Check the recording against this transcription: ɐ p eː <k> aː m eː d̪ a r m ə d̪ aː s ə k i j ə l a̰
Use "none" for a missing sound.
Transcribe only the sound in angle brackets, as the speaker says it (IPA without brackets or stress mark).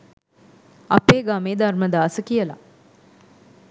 ɡ